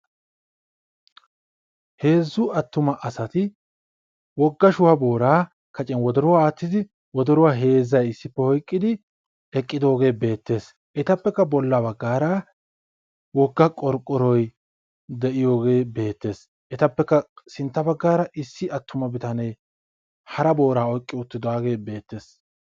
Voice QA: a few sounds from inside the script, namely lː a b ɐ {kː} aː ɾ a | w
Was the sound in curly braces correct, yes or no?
no